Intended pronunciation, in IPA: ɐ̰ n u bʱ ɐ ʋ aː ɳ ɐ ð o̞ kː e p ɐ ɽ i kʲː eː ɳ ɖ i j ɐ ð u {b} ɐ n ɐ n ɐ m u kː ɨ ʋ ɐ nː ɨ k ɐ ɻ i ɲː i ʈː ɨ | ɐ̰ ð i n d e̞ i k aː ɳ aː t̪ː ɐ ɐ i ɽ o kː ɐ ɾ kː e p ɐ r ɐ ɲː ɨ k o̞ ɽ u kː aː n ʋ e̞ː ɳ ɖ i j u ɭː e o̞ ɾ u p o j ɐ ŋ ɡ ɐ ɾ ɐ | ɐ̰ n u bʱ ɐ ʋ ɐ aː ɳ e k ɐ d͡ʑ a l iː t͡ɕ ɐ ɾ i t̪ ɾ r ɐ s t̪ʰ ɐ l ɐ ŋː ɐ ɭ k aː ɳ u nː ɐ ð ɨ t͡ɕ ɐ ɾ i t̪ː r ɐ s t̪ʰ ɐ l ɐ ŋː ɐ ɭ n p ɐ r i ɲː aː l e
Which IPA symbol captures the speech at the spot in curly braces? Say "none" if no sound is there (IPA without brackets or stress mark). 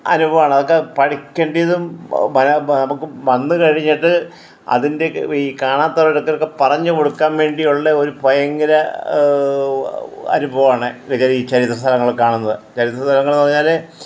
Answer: m